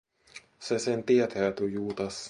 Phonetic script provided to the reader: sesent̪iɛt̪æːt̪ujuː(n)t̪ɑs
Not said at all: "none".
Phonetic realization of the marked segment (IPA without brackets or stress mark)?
none